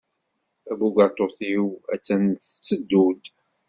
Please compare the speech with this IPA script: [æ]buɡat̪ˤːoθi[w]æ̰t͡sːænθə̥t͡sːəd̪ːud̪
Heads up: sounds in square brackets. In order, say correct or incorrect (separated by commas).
correct, correct